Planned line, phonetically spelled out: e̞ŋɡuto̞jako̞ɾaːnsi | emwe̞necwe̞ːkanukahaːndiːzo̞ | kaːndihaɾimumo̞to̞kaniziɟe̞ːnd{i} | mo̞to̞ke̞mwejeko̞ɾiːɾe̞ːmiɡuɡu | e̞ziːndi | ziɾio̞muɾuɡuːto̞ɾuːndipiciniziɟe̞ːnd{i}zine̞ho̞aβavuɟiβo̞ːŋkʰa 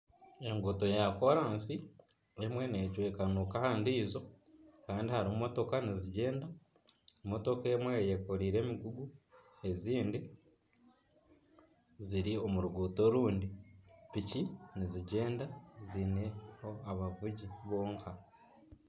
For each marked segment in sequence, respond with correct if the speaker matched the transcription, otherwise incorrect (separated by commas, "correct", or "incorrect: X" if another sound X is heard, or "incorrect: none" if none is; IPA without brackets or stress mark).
incorrect: a, incorrect: a